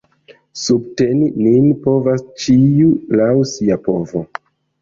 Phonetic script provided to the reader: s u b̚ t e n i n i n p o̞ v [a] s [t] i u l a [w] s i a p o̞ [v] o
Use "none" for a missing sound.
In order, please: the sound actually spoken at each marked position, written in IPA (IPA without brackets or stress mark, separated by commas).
a, t͡ʃ, w, v